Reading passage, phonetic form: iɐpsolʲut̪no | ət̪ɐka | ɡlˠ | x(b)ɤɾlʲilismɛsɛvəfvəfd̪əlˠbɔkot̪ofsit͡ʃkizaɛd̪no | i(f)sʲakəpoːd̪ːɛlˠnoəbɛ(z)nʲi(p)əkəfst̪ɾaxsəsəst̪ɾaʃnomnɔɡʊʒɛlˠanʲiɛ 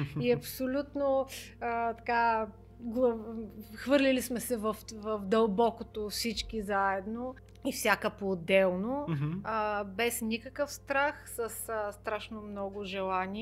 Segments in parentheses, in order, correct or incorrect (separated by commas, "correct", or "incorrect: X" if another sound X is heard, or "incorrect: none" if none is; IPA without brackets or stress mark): incorrect: v, correct, incorrect: s, incorrect: k